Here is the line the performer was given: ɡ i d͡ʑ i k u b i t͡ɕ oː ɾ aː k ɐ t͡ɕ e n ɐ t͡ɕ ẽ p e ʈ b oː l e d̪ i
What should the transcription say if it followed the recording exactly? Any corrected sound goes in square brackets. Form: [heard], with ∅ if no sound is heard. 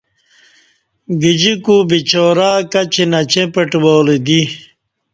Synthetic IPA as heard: ɡ i d͡ʑ i k u b i t͡ɕ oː ɾ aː k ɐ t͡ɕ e n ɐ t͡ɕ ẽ p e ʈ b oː l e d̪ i